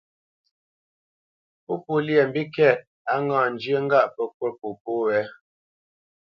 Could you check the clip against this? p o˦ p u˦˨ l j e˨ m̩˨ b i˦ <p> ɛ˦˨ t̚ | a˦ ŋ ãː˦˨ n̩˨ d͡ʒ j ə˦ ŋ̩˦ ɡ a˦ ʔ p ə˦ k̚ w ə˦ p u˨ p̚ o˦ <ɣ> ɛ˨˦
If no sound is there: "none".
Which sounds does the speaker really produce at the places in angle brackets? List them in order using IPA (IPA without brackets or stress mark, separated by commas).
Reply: k, w